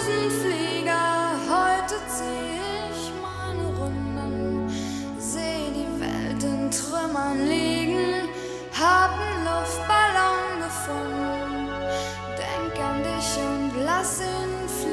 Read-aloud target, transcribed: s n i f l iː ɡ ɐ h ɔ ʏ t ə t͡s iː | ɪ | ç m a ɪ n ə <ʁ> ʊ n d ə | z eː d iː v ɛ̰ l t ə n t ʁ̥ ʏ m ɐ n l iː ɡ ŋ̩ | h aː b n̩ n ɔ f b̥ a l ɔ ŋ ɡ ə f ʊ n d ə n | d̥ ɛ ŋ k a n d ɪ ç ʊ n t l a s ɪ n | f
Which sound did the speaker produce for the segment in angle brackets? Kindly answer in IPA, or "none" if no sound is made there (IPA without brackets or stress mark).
ʁ